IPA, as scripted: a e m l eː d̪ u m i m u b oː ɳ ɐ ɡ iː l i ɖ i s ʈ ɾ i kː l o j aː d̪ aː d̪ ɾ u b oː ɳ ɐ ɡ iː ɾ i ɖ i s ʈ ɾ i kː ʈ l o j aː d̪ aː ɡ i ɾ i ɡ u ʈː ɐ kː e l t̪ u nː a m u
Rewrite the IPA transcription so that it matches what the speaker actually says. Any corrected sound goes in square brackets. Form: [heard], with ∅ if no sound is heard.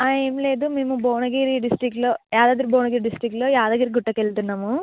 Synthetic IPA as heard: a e m l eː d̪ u m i m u b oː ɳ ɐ ɡ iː [ɾ] i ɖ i s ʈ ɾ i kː l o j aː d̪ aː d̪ ɾ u b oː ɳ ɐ ɡ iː ɾ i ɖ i s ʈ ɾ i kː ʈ l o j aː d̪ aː ɡ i ɾ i ɡ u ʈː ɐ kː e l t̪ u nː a m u